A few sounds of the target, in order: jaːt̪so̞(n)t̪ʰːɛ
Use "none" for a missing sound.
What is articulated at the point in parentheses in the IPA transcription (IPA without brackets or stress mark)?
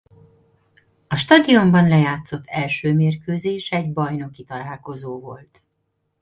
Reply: none